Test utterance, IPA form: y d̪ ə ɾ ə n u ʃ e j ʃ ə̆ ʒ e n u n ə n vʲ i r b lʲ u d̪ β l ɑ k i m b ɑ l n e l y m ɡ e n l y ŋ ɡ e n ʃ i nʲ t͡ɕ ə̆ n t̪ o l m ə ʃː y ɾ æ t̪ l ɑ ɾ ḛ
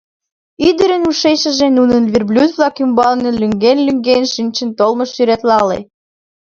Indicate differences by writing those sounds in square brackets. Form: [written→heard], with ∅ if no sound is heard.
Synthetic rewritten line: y d̪ ə ɾ ə n u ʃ e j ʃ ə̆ ʒ e n u n ə n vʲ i r b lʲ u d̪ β l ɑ k [i→y] m b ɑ l n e l y [m→ŋ] ɡ e n l y ŋ ɡ e n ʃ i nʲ t͡ɕ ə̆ n t̪ o l m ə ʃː y ɾ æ t̪ l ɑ [ɾ→l] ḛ